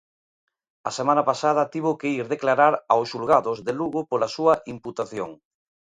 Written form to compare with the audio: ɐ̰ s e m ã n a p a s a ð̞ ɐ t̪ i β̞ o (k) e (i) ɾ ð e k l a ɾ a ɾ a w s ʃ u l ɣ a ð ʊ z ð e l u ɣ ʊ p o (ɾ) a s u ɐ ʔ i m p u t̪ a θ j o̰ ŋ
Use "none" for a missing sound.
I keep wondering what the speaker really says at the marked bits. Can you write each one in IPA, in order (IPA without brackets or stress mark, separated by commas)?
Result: k, i, l